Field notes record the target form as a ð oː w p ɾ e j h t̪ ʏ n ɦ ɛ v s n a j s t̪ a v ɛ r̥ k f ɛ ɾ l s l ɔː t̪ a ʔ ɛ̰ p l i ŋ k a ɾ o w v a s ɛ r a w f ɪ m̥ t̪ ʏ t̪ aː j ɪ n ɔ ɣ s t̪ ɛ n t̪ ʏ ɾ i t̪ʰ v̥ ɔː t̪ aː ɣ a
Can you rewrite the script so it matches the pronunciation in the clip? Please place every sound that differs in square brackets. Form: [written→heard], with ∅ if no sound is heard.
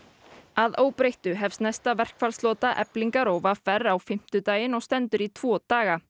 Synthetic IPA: a ð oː w p ɾ e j h t̪ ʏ [n→∅] ɦ ɛ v s n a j s t̪ a v ɛ r̥ k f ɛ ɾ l s l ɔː t̪ a ʔ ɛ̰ p l i ŋ k a ɾ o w v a [s→f] ɛ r a w f ɪ m̥ t̪ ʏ t̪ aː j ɪ n ɔ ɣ s t̪ ɛ n t̪ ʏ ɾ i t̪ʰ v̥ ɔː t̪ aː ɣ a